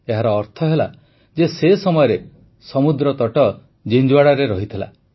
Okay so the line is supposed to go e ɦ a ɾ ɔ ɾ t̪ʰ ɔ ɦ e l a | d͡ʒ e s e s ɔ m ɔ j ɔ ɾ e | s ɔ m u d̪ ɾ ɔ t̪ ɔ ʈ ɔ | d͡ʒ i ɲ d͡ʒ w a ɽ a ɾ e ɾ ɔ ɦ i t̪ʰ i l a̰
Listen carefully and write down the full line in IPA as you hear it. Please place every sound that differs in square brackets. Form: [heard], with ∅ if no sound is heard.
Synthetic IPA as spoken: e ɦ a ɾ [ɔː] ɾ t̪ʰ ɔ ɦ e l a | d͡ʒ e s e s ɔ m ɔ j ɔ ɾ e | s ɔ m u d̪ ɾ ɔ t̪ ɔ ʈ ɔ | d͡ʒ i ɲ d͡ʒ w a ɽ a ɾ e ɾ ɔ ɦ i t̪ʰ i l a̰